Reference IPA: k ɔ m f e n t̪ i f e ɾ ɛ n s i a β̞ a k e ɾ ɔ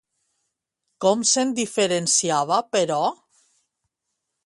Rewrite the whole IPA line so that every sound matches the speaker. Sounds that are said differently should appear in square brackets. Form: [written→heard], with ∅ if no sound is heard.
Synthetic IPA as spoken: k ɔ m [f→s] e n [t̪→d̪] i f e ɾ [ɛ→e] n s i a β̞ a [k→p] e ɾ ɔ